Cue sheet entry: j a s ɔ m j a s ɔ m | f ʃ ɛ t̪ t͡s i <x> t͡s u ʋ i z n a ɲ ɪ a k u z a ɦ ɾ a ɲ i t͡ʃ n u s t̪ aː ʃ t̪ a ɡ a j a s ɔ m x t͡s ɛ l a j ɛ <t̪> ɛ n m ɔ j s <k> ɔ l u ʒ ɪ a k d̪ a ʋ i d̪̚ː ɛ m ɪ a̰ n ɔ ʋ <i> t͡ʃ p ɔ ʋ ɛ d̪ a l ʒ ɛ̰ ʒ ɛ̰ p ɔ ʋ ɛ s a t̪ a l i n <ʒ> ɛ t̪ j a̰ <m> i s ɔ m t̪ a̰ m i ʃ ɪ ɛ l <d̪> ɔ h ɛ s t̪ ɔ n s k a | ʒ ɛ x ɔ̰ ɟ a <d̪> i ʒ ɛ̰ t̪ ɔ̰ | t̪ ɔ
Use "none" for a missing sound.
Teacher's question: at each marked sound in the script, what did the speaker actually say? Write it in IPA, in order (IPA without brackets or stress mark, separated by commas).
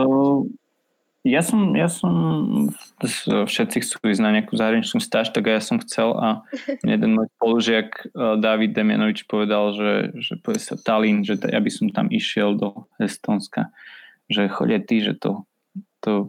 x, d̪, p, i, ʒ, b, d̪, t̪